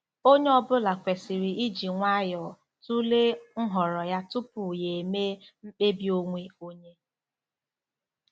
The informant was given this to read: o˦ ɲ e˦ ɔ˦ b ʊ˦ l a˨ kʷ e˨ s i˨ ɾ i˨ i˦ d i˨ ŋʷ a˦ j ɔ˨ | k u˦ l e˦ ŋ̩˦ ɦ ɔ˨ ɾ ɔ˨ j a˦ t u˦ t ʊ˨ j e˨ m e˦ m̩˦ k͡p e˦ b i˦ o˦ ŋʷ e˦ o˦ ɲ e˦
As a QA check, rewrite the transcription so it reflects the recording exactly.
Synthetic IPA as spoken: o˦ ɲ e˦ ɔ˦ b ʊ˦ l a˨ kʷ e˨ s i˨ ɾ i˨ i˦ d͡ʒ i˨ ŋʷ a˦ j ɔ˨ | t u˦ l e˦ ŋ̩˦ ɦ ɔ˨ ɾ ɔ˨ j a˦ t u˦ p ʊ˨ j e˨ m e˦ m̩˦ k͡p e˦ b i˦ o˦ ŋʷ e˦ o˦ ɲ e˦